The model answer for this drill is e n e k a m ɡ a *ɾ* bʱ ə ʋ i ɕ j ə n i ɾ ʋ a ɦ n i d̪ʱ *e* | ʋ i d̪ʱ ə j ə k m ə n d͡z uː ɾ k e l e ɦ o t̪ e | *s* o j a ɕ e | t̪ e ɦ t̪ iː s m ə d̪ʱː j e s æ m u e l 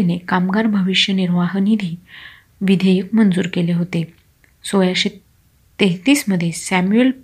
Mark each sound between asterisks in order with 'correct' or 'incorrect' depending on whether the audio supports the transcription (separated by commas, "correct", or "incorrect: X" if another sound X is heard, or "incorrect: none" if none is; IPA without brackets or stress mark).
correct, incorrect: i, correct